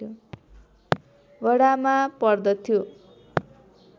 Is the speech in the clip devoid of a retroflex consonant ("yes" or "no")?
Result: no